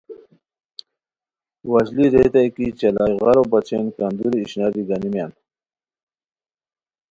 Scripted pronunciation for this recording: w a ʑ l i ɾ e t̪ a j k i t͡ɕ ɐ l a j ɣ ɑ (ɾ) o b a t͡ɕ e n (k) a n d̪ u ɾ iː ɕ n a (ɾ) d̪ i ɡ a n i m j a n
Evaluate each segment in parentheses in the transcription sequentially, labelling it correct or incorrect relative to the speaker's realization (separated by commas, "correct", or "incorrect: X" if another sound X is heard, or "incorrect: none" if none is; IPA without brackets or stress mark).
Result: correct, correct, correct